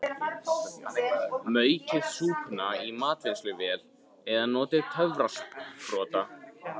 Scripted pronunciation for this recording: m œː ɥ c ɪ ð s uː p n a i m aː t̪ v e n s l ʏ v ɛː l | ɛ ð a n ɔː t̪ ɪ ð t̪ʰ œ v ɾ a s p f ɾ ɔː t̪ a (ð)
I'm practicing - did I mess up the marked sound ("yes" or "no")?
yes